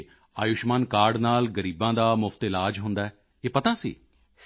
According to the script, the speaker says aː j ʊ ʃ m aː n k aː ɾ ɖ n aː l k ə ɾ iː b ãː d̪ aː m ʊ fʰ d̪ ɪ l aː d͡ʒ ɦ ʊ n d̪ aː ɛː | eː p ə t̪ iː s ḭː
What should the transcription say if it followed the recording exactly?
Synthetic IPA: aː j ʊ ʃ m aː n k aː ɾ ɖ n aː l ɡ ə ɾ iː b ãː d̪ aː m ʊ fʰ t̪ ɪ l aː d͡ʒ ɦ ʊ n d̪ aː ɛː | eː p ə t̪ aː s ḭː